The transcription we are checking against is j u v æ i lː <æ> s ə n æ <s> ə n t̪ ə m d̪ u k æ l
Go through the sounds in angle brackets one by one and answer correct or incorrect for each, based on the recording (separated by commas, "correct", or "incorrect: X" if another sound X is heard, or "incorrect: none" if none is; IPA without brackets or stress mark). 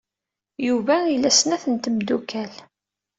correct, incorrect: θ